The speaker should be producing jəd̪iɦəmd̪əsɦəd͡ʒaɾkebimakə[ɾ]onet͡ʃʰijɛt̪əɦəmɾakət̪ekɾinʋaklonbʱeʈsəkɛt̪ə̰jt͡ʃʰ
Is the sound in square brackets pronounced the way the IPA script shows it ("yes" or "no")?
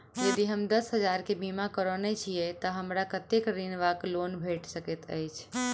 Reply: yes